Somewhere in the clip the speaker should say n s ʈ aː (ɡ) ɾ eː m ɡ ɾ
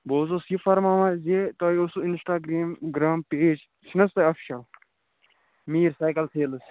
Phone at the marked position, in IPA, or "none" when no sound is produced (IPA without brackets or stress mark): ɡ